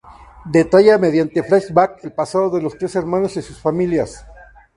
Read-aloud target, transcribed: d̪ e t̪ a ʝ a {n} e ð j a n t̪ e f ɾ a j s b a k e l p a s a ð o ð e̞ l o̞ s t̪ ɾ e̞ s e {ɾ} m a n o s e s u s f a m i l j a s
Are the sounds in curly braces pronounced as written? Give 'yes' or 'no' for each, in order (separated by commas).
no, yes